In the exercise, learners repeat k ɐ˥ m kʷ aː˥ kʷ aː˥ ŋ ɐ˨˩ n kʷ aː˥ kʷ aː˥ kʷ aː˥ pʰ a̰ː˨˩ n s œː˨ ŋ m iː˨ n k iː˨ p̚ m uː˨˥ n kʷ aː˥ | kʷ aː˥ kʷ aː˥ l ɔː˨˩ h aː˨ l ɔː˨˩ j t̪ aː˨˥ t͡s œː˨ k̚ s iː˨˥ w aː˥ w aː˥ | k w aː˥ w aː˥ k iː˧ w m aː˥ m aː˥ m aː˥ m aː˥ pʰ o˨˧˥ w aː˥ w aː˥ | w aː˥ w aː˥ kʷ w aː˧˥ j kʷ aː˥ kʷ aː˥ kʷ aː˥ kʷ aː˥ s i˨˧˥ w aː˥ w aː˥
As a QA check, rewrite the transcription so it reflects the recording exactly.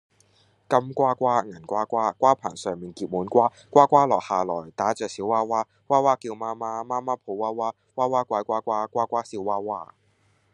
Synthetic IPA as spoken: k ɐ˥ m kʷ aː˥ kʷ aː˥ ŋ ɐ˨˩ n kʷ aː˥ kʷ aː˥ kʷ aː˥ pʰ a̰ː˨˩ n s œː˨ ŋ m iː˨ n k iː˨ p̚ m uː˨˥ n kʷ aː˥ | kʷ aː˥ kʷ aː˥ l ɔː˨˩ h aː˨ l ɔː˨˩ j t̪ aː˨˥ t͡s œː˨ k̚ s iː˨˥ w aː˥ w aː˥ | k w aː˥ w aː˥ k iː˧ w m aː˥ m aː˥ m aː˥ m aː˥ pʰ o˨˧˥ w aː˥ w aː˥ | w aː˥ w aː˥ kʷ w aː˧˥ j kʷ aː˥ kʷ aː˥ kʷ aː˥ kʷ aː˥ s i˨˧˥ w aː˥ w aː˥